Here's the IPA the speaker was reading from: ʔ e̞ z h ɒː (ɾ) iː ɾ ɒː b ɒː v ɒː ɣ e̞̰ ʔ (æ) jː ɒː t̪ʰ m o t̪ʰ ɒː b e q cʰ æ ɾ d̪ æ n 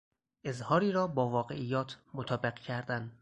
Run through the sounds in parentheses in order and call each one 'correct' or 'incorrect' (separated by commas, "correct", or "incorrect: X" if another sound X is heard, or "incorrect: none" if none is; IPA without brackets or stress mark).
correct, incorrect: i